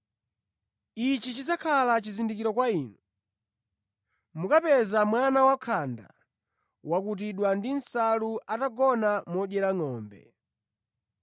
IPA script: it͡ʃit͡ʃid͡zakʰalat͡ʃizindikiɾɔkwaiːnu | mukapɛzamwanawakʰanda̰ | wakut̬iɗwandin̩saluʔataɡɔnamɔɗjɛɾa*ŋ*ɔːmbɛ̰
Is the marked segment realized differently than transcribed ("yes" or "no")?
no